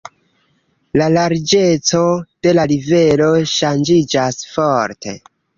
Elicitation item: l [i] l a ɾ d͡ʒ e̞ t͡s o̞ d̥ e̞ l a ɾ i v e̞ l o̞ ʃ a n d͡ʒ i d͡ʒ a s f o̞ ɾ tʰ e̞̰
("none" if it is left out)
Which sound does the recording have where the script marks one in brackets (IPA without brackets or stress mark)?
a